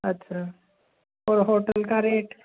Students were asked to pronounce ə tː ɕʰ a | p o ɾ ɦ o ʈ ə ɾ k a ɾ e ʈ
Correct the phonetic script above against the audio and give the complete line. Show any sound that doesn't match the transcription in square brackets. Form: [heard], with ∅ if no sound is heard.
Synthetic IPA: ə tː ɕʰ a | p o ɾ ɦ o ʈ ə [l] k a ɾ e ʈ